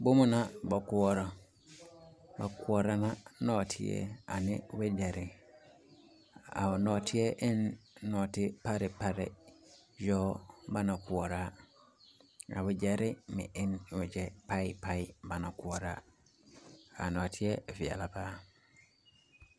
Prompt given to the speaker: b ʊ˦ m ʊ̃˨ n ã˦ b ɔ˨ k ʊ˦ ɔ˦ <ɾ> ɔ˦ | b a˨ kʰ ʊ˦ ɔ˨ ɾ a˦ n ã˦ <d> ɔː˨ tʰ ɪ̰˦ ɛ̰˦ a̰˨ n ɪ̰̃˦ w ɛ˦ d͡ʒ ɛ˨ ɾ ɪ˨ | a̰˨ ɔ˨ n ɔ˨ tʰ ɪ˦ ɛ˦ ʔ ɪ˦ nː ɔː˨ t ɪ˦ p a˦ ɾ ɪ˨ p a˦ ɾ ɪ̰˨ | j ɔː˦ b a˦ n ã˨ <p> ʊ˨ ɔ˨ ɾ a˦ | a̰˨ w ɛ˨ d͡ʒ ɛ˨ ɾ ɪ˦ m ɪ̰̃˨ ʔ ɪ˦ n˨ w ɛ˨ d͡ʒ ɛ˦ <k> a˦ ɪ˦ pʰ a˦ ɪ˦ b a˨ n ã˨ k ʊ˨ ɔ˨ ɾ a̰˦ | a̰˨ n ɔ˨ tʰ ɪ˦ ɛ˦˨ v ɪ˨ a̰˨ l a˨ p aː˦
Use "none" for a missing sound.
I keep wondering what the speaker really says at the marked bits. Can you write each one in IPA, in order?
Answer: ɾ, n, k, p

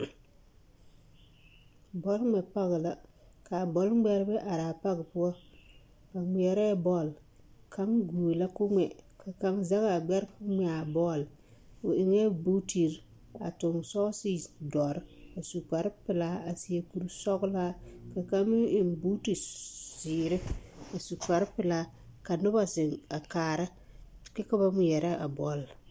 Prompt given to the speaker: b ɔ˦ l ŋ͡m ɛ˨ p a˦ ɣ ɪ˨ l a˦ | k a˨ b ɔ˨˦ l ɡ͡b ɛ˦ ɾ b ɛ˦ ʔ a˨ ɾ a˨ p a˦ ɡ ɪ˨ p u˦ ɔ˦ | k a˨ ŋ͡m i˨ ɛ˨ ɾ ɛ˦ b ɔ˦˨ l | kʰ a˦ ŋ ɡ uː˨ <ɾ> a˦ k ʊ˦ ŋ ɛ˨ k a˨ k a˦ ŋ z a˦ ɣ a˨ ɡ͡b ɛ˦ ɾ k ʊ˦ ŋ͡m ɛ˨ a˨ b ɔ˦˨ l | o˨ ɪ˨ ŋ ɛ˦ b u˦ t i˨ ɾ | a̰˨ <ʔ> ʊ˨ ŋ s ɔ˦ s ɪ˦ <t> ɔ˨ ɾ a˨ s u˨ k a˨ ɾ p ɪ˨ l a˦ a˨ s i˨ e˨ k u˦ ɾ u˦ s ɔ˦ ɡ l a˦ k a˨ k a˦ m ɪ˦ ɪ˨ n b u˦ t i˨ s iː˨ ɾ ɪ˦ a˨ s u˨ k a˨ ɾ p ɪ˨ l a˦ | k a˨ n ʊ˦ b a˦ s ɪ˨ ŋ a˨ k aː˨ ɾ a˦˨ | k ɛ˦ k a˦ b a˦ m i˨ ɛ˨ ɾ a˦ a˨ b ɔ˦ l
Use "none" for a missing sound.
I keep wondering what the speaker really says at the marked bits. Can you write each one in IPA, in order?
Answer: l, t, d

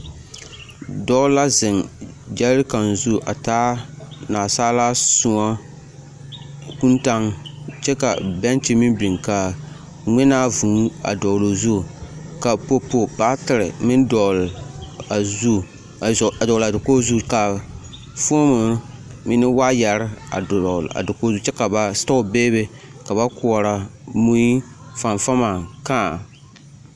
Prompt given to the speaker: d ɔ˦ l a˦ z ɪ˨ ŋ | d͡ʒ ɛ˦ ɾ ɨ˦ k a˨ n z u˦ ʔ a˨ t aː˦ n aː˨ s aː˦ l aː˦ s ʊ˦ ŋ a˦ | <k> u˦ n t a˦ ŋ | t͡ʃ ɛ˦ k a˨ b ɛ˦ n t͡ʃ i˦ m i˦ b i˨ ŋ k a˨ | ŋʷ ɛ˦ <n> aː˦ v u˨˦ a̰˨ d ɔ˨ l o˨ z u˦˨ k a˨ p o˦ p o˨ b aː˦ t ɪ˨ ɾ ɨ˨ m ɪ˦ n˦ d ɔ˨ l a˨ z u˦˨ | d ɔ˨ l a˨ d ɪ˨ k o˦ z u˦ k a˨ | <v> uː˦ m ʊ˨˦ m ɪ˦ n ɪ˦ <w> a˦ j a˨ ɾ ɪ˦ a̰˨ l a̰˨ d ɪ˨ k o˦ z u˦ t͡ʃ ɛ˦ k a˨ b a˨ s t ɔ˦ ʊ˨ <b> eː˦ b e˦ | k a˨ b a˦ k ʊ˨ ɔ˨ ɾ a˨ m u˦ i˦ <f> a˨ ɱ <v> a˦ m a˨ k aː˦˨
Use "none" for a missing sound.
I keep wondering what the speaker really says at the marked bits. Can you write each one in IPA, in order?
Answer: k, n, f, w, b, f, f

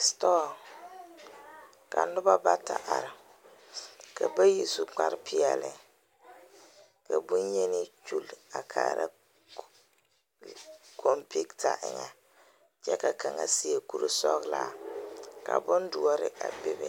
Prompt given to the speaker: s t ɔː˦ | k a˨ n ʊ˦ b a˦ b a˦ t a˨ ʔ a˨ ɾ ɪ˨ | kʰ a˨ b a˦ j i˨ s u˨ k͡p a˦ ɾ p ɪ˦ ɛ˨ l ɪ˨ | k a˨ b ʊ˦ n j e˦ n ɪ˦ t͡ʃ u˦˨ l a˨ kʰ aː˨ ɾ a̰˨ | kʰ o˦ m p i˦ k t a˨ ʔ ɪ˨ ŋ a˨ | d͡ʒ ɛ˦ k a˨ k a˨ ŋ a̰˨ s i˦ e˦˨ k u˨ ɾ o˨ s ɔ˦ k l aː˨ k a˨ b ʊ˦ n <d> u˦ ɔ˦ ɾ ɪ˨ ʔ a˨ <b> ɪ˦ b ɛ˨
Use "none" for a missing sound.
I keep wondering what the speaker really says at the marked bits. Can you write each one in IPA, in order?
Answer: d, b

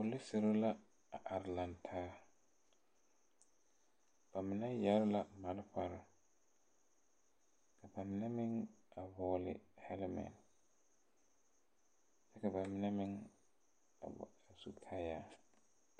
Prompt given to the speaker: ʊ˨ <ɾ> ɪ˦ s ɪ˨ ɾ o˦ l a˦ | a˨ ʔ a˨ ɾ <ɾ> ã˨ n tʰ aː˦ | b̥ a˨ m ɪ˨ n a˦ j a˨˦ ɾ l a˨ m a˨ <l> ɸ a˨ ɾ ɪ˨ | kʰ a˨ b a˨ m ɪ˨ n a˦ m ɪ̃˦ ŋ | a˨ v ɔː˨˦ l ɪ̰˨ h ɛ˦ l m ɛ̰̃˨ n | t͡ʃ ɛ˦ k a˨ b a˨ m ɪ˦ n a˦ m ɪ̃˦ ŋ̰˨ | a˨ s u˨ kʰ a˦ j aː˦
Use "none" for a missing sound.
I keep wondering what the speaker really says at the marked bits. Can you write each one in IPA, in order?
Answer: l, l, l

